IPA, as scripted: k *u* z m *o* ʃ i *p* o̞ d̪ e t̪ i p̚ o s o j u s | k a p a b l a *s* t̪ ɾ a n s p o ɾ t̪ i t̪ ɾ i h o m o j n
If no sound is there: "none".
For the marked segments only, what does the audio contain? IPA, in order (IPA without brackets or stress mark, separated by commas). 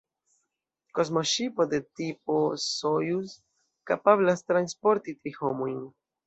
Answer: o, o, p, s